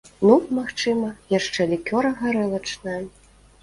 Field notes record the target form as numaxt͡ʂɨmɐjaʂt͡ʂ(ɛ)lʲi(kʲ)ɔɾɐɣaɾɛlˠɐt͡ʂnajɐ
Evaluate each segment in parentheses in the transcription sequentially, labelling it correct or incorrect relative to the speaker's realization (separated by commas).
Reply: correct, correct